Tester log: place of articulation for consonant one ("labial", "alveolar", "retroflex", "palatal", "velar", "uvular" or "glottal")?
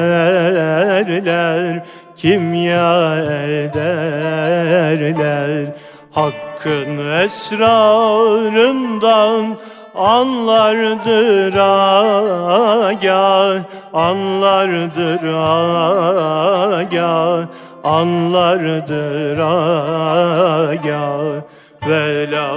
alveolar